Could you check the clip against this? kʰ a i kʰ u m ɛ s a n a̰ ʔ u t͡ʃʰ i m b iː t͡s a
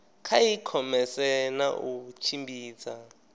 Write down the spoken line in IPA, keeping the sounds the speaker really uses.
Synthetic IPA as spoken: kʰ a i kʰ ɔ m ɛ s ɛ n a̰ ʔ u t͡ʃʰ i m b iː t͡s a